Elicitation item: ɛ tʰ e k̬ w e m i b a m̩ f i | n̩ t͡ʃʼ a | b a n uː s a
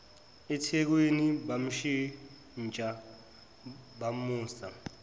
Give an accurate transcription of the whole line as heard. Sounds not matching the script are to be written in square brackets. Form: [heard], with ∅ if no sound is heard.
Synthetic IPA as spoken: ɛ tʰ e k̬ w e [n] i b a m̩ [ʃ] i | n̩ t͡ʃʼ a | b a [m] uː s a